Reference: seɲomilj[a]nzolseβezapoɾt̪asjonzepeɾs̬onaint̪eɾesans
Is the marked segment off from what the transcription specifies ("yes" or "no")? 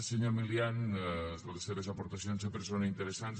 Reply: no